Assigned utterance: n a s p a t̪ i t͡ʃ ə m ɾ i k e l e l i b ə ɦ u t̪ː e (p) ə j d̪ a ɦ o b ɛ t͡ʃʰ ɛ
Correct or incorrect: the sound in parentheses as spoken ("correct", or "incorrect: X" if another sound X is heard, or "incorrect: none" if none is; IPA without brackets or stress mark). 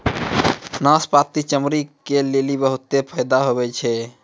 incorrect: pʰ